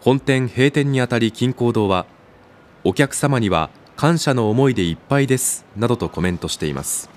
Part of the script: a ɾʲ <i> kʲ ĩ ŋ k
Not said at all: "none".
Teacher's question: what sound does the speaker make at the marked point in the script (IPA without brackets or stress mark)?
i